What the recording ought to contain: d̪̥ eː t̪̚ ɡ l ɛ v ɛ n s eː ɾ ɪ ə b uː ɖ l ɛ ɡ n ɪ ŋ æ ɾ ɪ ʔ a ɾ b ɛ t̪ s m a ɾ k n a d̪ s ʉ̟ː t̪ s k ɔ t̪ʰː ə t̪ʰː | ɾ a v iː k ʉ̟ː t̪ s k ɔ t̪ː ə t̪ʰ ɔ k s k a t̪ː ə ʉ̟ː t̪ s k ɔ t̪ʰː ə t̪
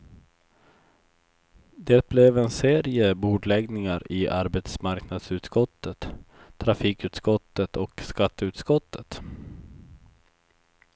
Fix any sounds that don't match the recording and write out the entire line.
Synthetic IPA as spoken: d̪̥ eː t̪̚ b l ɛ v ɛ n s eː ɾ ɪ ə b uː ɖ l ɛ ɡ n ɪ ŋ a ɾ ɪ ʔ a ɾ b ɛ t̪ s m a ɾ k n a d̪ s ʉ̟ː t̪ s k ɔ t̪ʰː ə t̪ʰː | ɾ a f iː k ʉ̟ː t̪ s k ɔ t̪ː ə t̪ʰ ɔ k s k a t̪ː ə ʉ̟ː t̪ s k ɔ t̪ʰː ə t̪